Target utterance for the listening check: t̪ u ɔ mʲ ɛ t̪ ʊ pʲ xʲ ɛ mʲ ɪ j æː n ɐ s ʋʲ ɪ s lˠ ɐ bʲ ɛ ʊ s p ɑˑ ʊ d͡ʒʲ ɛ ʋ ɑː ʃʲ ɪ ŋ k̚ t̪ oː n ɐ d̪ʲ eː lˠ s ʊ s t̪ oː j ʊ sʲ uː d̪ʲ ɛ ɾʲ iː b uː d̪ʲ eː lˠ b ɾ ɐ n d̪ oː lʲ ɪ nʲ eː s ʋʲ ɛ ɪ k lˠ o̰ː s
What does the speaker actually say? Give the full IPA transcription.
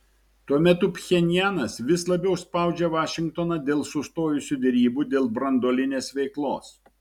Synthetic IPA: t̪ u ɔ mʲ ɛ t̪ ʊ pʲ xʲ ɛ nʲ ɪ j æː n ɐ s ʋʲ ɪ s lˠ ɐ bʲ ɛ ʊ s p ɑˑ ʊ d͡ʒʲ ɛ ʋ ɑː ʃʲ ɪ ŋ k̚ t̪ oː n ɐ d̪ʲ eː lˠ s ʊ s t̪ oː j ʊ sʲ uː d̪ʲ ɛ ɾʲ iː b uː d̪ʲ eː lˠ b ɾ ɐ n d̪ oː lʲ ɪ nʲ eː s ʋʲ ɛ ɪ k lˠ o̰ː s